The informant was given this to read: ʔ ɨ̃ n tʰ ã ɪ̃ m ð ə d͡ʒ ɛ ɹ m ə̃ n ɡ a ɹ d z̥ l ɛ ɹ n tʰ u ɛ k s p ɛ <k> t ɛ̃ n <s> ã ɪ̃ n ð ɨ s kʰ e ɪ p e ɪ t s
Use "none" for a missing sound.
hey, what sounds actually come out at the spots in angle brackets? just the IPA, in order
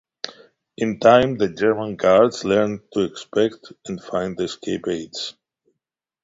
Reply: k, f

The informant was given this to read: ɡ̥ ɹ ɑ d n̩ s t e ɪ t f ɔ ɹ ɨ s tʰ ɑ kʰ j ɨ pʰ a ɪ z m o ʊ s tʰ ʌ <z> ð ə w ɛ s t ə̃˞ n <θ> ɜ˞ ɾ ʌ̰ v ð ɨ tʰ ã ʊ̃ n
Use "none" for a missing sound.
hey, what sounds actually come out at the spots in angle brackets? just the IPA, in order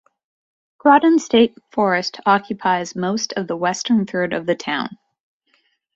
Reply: v, θ

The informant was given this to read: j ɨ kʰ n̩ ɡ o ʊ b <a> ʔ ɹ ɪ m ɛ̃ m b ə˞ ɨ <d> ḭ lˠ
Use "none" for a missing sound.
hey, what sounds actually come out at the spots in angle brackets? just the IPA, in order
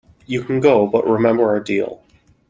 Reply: ʌ, d

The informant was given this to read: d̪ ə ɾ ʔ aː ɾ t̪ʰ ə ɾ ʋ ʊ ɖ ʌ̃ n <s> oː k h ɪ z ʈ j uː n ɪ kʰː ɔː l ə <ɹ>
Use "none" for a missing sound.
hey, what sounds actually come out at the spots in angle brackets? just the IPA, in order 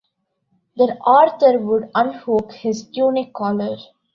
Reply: h, ɾ

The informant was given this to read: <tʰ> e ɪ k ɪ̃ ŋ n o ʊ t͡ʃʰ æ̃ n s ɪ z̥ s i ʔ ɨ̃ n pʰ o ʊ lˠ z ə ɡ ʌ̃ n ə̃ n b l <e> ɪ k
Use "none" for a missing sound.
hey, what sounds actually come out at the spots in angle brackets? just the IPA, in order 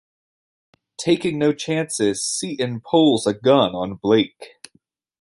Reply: tʰ, e

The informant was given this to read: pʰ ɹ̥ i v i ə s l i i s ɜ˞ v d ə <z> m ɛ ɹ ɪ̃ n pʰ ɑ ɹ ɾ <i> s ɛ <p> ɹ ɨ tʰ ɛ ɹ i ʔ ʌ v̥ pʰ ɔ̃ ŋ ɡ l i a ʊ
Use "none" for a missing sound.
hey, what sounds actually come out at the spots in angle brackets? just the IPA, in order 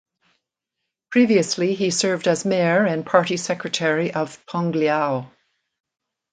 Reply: z, i, k

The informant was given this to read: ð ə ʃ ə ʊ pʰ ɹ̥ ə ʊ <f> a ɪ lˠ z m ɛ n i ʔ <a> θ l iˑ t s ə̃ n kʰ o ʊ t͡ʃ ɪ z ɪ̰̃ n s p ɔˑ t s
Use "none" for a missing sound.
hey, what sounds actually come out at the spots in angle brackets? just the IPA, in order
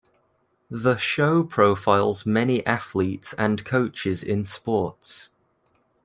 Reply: f, a

